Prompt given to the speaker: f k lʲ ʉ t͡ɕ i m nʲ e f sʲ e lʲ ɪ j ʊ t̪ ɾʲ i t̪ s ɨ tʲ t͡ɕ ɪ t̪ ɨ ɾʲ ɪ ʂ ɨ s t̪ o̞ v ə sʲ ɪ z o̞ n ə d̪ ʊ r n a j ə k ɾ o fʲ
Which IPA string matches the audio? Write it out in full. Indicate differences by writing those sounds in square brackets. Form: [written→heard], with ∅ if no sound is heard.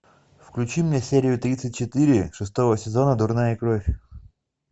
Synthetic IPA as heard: f k lʲ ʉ t͡ɕ i m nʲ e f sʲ e [lʲ→ɾʲ] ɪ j ʊ t̪ ɾʲ i t̪ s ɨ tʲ t͡ɕ ɪ t̪ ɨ ɾʲ ɪ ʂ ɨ s t̪ o̞ v ə sʲ ɪ z o̞ n ə d̪ ʊ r n a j ə k ɾ o fʲ